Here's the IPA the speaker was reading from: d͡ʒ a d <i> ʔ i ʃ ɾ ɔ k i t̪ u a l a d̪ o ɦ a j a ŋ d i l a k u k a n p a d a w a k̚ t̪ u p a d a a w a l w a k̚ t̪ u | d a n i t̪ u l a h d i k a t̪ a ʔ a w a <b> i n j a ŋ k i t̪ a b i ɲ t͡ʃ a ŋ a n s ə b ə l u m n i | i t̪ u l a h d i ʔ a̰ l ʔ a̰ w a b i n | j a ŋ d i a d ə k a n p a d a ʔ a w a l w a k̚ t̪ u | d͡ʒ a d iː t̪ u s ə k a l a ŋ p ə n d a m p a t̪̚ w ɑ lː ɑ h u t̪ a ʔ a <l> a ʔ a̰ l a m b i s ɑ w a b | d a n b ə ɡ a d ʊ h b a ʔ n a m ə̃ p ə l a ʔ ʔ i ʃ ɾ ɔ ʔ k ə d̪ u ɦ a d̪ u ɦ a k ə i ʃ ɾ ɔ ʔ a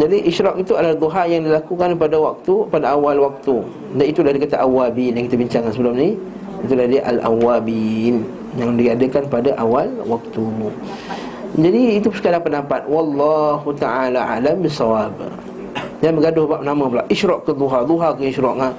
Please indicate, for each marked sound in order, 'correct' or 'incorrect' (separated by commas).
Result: correct, correct, correct